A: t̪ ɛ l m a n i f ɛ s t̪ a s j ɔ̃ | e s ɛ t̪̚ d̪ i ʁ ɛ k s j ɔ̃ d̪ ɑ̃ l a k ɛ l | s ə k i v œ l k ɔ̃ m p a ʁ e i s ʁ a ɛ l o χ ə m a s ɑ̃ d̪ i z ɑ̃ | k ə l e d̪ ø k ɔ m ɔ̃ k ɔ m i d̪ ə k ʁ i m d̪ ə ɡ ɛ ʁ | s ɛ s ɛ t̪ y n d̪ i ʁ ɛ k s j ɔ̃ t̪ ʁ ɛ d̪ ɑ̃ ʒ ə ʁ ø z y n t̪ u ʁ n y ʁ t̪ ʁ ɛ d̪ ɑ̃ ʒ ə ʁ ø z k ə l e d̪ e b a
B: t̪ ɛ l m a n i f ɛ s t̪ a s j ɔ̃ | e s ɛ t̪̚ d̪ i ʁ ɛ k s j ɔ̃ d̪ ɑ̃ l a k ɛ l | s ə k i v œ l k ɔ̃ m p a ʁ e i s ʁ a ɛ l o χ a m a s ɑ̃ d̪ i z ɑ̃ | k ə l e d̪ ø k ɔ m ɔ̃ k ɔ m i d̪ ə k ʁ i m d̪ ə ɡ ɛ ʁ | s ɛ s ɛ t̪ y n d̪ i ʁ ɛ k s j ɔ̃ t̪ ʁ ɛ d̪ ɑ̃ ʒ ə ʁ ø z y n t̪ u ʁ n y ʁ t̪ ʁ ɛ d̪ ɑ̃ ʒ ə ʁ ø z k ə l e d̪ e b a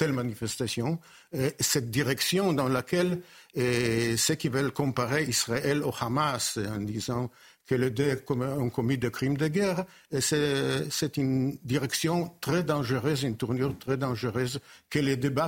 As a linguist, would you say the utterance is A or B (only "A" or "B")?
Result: B